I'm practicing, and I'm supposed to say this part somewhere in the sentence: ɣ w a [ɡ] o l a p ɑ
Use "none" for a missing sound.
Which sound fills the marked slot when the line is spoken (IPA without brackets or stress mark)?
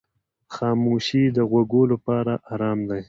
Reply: ɡ